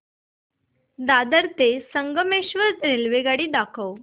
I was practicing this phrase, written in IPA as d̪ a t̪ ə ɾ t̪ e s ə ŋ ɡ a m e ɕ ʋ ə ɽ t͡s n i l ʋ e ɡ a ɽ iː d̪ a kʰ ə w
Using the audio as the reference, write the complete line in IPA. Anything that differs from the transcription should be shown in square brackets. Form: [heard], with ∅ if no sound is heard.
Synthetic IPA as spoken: d̪ a [d̪] ə ɾ t̪ e s ə ŋ ɡ [ə] m e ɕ ʋ ə [ɾ] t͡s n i l ʋ e ɡ a ɽ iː d̪ a kʰ ə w